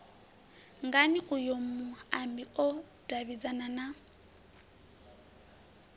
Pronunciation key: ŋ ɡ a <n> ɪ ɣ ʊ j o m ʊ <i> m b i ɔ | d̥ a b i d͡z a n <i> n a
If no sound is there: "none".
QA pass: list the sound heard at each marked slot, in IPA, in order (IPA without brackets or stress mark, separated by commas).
n, a, a